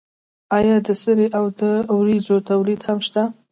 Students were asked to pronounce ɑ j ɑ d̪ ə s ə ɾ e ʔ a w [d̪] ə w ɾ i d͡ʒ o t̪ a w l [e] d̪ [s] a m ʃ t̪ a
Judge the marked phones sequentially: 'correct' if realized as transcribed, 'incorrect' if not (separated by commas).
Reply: correct, incorrect, incorrect